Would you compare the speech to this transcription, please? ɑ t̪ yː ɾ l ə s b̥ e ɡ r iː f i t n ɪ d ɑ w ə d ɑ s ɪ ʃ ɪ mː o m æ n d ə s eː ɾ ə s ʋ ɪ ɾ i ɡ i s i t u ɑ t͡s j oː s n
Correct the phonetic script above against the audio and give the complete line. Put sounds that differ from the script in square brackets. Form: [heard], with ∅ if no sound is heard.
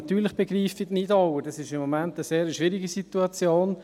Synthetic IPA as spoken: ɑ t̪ yː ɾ l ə [χ] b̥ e ɡ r iː f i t n ɪ d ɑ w ə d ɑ s ɪ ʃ ɪ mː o m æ n [t] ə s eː ɾ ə [ʃ] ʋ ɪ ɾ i ɡ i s i t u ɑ t͡s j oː [∅] n